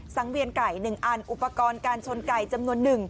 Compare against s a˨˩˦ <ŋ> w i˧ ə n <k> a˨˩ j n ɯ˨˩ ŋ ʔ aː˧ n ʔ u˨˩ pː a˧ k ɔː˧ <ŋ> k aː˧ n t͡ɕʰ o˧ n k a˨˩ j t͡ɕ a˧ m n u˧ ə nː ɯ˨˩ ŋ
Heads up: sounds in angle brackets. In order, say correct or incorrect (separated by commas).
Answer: correct, correct, incorrect